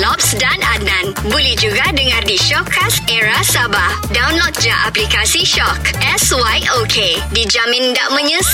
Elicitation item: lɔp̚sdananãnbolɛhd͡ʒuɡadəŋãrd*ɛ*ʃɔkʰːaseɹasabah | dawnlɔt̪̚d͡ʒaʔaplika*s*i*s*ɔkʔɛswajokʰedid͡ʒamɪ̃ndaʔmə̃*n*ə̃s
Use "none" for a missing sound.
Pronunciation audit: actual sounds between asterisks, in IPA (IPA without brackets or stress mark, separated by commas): i, s, ʃ, ɲ